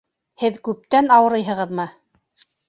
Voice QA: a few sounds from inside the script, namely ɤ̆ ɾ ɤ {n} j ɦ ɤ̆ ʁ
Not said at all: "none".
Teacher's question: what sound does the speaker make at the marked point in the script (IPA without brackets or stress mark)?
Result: none